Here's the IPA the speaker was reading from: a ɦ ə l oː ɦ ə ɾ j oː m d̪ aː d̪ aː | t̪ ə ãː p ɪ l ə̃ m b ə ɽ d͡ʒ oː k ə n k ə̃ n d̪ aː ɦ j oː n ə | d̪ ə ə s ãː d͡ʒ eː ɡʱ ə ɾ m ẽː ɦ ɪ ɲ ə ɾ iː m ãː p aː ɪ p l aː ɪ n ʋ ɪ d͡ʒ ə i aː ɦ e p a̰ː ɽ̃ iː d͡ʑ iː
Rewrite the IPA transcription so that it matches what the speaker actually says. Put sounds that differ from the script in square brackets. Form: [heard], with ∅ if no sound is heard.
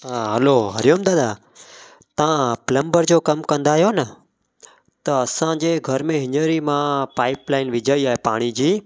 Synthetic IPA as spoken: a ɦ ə l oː ɦ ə ɾ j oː m d̪ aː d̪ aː | t̪ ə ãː p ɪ l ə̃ m b ə [ɾ] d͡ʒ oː k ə [m] k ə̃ n d̪ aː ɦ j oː n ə | [t̪] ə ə s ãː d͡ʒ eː ɡʱ ə ɾ m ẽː ɦ ɪ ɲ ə ɾ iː m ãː p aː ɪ p l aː ɪ n ʋ ɪ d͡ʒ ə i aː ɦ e p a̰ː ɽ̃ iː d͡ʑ iː

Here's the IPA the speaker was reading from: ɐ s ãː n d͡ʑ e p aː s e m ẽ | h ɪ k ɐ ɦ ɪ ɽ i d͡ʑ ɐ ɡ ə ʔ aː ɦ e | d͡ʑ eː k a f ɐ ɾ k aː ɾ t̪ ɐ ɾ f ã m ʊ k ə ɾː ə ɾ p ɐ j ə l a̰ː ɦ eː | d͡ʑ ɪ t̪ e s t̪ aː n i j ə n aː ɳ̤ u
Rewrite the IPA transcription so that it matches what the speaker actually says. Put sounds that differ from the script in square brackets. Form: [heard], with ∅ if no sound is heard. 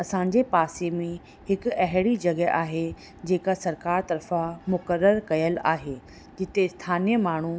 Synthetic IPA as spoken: ɐ s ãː [ɲ] d͡ʑ e p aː s e m ẽ | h ɪ k ɐ ɦ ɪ ɽ i d͡ʑ ɐ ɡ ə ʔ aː ɦ e | d͡ʑ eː k a [s] ɐ ɾ k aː ɾ t̪ ɐ ɾ f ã m ʊ k ə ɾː ə ɾ [k] ɐ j ə l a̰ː ɦ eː | d͡ʑ ɪ t̪ e s [t̪ʰ] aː n i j ə [m] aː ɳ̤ u

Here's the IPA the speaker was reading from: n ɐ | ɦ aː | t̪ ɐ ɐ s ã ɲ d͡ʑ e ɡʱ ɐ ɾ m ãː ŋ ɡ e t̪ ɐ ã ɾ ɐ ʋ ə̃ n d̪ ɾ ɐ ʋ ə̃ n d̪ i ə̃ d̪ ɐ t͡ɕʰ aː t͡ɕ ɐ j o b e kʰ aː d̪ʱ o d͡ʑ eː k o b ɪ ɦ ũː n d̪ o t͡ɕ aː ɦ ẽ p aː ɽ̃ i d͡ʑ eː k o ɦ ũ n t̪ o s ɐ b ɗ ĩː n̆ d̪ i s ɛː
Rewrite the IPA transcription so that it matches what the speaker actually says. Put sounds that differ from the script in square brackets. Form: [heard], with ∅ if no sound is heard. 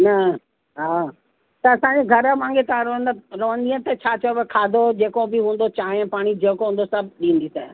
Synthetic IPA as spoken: n ɐ | ɦ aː | t̪ ɐ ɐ s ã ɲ d͡ʑ e ɡʱ ɐ ɾ m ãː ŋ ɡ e t̪ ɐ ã ɾ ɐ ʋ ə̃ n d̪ ɾ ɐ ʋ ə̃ n d̪ i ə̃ [t̪] ɐ t͡ɕʰ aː t͡ɕ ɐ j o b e kʰ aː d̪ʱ o d͡ʑ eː k o b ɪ ɦ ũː n d̪ o t͡ɕ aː ɦ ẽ p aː ɽ̃ i d͡ʑ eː k o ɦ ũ n [d̪] o s ɐ b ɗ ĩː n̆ d̪ i s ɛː

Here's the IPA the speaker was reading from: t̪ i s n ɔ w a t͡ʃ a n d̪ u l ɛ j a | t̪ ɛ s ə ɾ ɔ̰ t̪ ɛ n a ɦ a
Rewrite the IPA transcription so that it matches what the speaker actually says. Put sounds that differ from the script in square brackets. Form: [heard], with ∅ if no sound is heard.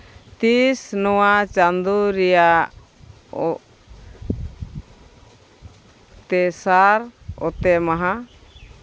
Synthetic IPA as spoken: t̪ i s n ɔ w a t͡ʃ a n d̪ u [ɾ] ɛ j a | t̪ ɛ s [a] ɾ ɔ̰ t̪ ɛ [m] a ɦ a

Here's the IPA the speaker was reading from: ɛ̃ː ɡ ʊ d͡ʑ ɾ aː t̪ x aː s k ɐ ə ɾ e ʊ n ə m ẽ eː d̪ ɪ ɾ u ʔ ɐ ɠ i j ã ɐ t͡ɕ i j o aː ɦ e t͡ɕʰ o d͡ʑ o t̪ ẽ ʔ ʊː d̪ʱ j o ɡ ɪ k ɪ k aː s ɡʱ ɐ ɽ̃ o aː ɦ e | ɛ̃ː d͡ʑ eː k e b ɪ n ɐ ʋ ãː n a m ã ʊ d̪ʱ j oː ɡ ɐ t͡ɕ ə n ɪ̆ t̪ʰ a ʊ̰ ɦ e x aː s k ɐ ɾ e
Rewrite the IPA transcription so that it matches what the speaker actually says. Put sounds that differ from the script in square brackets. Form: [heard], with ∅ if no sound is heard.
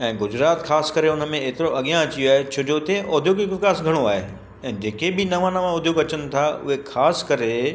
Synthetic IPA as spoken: ɛ̃ː ɡ ʊ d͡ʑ ɾ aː t̪ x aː s k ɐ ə ɾ e ʊ n ə m ẽ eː [t̪] ɪ ɾ [o] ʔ ɐ ɠ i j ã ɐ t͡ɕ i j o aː ɦ e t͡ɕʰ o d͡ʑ o t̪ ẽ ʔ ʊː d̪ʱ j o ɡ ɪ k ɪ k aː s ɡʱ ɐ ɽ̃ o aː ɦ e | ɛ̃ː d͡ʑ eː k e b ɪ n ɐ ʋ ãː n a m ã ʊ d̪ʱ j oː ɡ ɐ t͡ɕ ə n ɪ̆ t̪ʰ a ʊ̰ ɦ e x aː s k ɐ ɾ e

